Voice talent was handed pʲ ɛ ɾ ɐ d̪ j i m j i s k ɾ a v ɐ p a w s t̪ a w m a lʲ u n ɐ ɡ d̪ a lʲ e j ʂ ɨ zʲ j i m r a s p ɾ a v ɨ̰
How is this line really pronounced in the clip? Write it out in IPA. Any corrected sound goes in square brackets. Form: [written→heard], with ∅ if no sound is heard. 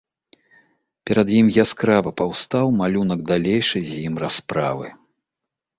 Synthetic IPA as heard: pʲ ɛ ɾ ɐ d̪ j i m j [i→a] s k ɾ a v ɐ p a w s t̪ a w m a lʲ u n ɐ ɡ d̪ a lʲ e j ʂ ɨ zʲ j i m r a s p ɾ a v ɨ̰